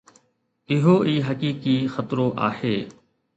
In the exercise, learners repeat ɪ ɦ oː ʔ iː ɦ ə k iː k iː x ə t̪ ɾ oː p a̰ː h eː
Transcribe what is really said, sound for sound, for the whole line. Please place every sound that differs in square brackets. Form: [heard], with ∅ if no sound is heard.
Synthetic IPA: ɪ ɦ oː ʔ iː ɦ ə k iː k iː x ə t̪ ɾ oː [ʔ] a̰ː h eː